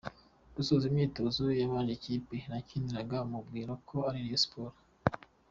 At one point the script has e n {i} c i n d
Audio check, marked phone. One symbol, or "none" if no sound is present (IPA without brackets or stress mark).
a